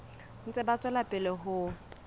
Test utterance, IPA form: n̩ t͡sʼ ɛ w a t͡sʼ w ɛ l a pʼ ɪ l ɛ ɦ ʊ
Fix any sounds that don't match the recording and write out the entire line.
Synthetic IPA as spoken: n̩ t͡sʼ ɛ b a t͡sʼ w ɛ l a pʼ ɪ l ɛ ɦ ʊ